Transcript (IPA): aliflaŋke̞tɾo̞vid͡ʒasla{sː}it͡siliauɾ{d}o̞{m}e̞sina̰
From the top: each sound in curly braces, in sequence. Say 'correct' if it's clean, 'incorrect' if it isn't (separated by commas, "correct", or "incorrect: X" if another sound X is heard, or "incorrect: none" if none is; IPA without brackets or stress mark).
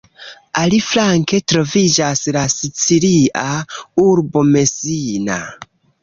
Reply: incorrect: s, incorrect: b, correct